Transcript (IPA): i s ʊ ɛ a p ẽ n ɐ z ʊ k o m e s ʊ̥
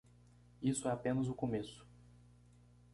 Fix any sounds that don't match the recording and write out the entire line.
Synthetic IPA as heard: i s ʊ ɛ a p ẽ n ɐ z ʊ k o m e s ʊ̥